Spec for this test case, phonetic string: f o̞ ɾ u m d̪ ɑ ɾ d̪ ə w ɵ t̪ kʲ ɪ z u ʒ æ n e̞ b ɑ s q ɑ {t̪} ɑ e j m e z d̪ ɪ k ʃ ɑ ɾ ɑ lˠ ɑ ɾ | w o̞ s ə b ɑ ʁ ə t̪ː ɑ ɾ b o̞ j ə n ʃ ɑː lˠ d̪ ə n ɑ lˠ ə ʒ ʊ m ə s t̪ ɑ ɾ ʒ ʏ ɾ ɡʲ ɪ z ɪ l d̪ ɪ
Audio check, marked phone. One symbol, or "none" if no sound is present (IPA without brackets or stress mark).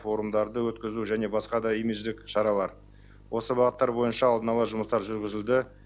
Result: d̪